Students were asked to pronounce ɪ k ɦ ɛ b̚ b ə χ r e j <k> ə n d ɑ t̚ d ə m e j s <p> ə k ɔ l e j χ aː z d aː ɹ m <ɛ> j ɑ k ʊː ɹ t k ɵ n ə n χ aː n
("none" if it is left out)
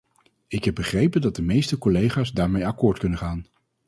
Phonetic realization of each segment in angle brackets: p, t, e

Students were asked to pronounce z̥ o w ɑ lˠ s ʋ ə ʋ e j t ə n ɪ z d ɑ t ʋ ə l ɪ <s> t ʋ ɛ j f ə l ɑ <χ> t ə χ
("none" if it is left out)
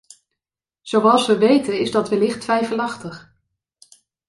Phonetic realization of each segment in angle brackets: χ, χ

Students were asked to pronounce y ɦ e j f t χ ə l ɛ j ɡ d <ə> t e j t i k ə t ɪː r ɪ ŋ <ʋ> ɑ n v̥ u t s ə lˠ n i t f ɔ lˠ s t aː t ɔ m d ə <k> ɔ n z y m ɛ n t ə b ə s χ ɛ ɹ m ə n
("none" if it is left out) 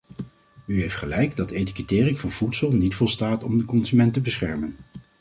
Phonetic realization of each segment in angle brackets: ɑ, v, k

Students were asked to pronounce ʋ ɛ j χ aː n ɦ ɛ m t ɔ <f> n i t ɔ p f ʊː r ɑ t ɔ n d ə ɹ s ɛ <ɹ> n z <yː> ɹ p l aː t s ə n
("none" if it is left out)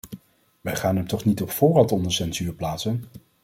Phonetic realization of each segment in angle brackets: χ, none, yː

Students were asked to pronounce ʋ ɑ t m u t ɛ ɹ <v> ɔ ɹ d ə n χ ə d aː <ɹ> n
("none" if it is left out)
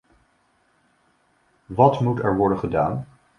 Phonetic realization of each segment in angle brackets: ʋ, none

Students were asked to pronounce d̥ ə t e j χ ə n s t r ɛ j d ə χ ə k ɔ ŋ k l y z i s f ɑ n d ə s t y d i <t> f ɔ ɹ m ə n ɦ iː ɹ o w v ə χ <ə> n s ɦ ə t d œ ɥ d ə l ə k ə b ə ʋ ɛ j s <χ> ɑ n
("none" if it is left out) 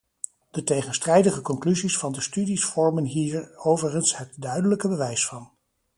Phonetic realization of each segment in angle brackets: s, ə, f

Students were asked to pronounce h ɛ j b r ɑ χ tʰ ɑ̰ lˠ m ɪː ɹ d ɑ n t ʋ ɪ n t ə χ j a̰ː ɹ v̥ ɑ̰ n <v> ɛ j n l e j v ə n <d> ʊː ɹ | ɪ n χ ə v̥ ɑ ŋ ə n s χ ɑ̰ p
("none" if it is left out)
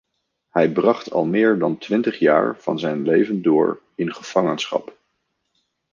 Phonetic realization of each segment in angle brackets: z, d

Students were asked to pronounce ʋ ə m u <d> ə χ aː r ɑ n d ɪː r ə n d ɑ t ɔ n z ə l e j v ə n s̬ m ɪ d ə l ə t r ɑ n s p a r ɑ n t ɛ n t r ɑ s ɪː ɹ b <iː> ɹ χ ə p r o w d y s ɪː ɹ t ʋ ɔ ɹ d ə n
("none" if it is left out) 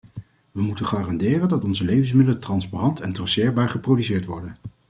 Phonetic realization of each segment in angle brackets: t, aː

